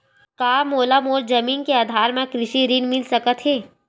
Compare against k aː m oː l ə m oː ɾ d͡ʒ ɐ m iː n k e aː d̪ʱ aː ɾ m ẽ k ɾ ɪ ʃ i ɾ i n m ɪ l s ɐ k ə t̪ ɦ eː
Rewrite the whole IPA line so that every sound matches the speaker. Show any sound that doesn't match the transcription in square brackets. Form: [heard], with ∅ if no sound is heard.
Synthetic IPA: k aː m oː l [a] m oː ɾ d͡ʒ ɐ m iː n k e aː d̪ʱ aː ɾ m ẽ k ɾ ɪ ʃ i ɾ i n m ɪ l s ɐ k ə t̪ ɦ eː